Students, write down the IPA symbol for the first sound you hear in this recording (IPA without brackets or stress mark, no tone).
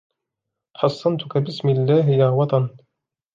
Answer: ħ